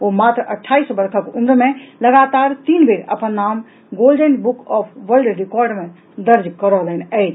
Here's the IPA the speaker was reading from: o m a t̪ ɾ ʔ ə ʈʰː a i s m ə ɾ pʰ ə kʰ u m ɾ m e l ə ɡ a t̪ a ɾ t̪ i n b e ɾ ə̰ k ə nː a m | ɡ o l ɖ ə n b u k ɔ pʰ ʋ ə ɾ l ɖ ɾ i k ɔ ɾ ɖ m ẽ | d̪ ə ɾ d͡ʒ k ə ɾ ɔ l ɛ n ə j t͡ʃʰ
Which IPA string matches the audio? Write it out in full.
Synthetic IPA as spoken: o m a t̪ ɾ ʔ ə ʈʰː a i s b ə ɾ kʰ ə k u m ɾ m e l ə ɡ a t̪ a ɾ t̪ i n b e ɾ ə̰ p ə nː a m | ɡ o l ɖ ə n b u k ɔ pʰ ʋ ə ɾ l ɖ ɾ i k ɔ ɾ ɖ m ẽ | d̪ ə ɾ d͡ʒ k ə ɾ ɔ l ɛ n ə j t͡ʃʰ

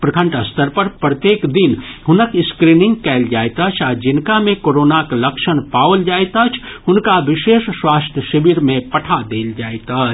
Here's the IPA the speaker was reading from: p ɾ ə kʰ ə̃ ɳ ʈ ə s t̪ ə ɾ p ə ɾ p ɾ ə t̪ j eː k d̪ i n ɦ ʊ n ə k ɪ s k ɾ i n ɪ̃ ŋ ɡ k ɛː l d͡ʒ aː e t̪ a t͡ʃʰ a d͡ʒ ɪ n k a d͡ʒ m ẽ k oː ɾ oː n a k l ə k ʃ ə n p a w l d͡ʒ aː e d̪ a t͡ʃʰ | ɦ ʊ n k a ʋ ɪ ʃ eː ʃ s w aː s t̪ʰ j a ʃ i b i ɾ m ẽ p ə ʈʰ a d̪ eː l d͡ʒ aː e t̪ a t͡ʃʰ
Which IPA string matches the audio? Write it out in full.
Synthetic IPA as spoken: p ɾ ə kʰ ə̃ ɳ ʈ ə s t̪ ə ɾ p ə ɾ p ɾ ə t̪ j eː k d̪ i n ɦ ʊ n ə k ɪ s k ɾ i n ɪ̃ ŋ ɡ k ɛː l d͡ʒ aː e t̪ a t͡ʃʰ a d͡ʒ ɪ n k a m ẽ k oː ɾ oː n a k l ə k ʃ ə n p a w l d͡ʒ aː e t̪ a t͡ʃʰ | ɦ ʊ n k a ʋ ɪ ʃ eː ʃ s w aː s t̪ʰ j ə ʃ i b i ɾ m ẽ p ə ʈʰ a d̪ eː l d͡ʒ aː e t̪ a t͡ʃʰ

